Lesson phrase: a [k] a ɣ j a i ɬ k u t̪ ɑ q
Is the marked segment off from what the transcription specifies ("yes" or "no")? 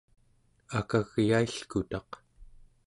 no